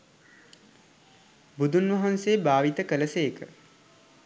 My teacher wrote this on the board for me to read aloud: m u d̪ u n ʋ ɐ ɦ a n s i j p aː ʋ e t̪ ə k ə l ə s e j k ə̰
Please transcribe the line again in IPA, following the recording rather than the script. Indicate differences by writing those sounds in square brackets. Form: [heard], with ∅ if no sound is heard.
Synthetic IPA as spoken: [b] u d̪ u n ʋ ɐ ɦ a n s [e] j [b] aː ʋ [i] t̪ ə k ə l ə s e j k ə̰